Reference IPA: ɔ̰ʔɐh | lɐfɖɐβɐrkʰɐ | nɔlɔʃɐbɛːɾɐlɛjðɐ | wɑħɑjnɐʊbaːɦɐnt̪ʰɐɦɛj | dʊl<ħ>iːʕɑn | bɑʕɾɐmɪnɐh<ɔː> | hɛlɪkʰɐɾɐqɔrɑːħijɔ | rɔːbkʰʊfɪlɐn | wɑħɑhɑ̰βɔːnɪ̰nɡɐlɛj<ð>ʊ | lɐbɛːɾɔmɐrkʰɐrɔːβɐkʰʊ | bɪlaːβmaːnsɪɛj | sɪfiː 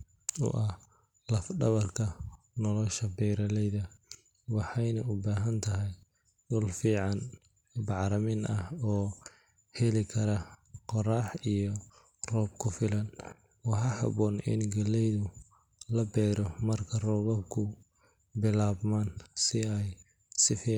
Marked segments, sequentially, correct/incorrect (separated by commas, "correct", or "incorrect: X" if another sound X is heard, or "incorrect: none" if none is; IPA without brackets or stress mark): incorrect: f, correct, correct